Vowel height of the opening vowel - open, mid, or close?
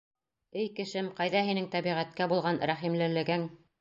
mid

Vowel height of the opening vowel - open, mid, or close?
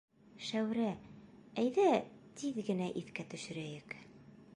open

